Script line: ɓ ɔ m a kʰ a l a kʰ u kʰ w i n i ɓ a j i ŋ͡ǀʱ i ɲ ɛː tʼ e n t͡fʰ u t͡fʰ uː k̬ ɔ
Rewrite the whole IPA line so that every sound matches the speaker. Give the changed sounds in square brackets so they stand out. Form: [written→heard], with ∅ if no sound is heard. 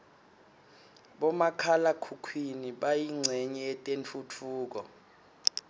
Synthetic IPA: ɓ ɔ m a kʰ a l a kʰ u kʰ w i n i ɓ a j i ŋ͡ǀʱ [i→ɛ] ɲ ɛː tʼ e n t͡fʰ u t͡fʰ uː k̬ ɔ